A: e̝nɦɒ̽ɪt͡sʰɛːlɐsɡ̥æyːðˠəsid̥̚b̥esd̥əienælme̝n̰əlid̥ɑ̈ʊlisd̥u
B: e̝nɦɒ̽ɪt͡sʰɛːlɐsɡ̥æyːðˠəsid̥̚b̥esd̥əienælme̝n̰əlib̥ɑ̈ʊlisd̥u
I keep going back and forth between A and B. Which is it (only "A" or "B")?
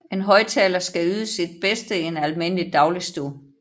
A